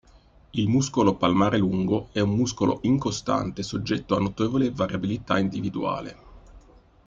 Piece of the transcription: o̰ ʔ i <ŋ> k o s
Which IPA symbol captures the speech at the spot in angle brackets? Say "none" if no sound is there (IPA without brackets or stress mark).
ŋ